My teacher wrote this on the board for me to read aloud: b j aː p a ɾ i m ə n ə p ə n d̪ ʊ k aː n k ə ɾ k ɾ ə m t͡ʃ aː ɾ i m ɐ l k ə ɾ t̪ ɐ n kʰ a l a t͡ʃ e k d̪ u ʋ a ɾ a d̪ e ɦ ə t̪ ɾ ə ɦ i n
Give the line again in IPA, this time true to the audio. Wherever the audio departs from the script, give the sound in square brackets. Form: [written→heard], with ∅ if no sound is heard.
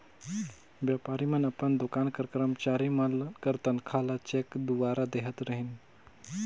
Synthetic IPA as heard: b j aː p a ɾ i m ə n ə p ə n d̪ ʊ k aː n k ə ɾ k ɾ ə m t͡ʃ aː ɾ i m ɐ l k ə ɾ t̪ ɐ n kʰ a l a t͡ʃ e k d̪ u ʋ a ɾ a d̪ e ɦ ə t̪ ɾ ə ɦ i n